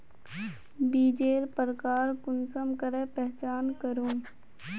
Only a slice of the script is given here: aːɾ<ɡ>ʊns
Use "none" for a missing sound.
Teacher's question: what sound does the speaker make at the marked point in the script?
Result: k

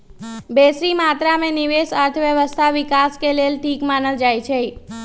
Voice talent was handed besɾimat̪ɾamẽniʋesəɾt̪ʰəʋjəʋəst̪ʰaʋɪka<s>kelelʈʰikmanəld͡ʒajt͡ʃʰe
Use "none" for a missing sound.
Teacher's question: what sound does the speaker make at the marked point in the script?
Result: s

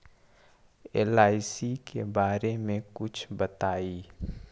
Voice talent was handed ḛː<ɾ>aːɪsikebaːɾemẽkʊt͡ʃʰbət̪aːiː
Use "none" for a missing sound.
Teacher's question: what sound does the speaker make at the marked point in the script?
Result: l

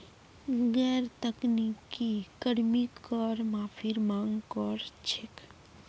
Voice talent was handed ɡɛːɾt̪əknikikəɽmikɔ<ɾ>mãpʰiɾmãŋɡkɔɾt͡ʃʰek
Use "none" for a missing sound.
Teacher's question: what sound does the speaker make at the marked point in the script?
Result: ɾ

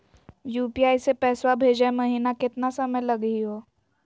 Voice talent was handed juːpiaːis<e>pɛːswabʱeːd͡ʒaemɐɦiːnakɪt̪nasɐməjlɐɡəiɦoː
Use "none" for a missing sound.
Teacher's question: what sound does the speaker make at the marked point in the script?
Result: e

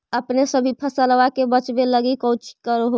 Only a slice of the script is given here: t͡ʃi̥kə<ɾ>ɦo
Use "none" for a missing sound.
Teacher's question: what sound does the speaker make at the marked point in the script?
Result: ɾ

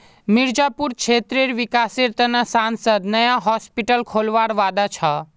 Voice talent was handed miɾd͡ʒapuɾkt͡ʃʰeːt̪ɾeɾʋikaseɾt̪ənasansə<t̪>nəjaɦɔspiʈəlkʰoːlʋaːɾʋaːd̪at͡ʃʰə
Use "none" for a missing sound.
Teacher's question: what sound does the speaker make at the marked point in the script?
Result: d̪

